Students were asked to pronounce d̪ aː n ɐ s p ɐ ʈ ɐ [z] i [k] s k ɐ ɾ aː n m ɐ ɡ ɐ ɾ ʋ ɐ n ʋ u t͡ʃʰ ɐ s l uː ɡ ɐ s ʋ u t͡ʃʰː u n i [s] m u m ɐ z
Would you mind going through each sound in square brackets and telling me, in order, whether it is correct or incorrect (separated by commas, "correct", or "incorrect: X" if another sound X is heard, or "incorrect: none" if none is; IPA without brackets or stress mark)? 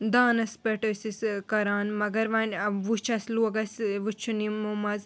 incorrect: s, incorrect: none, incorrect: none